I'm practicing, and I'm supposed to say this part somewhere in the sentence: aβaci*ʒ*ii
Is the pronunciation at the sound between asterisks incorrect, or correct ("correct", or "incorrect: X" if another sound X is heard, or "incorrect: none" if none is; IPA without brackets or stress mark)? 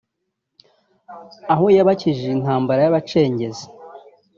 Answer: correct